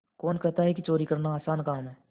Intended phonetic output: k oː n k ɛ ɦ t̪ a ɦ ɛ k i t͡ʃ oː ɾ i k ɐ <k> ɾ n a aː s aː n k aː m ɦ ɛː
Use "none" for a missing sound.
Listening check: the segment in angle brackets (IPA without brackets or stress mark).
none